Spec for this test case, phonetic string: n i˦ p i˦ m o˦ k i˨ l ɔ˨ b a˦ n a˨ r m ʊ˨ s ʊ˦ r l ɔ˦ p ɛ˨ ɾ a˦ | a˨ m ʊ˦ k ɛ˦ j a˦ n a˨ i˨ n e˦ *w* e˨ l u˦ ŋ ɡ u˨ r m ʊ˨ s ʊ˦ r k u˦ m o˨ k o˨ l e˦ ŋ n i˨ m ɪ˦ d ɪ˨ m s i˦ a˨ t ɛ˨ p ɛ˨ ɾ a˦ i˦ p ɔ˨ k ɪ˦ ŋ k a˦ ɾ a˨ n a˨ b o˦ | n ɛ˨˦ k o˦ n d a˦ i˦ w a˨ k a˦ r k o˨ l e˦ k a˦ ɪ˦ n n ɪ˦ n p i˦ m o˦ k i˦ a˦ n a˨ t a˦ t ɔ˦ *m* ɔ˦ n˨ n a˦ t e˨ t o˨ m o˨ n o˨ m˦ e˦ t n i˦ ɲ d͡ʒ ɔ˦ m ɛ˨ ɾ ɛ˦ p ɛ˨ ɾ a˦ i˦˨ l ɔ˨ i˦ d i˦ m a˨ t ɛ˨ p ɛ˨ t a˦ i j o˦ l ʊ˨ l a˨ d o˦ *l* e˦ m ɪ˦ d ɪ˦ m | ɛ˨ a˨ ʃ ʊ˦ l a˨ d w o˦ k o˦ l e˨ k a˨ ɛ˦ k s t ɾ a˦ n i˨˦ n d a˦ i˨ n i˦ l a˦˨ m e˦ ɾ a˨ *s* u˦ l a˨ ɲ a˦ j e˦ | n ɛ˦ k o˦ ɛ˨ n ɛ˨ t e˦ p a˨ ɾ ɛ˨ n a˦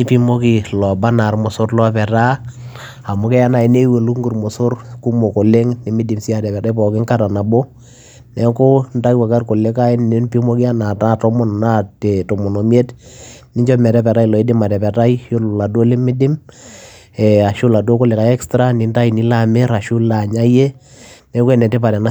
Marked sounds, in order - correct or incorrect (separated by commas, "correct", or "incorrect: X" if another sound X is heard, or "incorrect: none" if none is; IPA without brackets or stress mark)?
correct, correct, correct, incorrect: ʃ